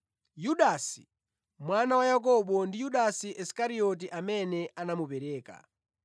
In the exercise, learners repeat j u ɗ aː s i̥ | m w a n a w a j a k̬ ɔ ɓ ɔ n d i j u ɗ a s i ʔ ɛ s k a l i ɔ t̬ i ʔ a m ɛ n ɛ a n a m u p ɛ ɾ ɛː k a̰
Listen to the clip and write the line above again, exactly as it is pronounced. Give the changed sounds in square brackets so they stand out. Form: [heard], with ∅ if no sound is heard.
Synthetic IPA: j u ɗ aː s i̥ | m w a n a w a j a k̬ ɔ ɓ ɔ n d i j u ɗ a s i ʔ ɛ s k a [ɾ] i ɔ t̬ i ʔ a m ɛ n ɛ a n a m u p ɛ ɾ ɛː k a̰